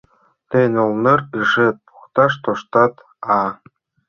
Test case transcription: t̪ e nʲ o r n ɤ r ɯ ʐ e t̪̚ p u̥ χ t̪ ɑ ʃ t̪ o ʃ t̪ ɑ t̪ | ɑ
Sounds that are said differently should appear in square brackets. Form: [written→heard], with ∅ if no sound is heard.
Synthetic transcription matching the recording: t̪ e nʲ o [r→l] n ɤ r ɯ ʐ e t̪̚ p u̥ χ t̪ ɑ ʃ t̪ o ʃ t̪ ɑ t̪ | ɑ